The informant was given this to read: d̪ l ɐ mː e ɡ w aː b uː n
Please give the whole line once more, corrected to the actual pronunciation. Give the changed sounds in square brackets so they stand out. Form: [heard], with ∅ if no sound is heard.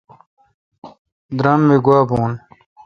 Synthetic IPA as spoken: d̪ [ɾ] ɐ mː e ɡ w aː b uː n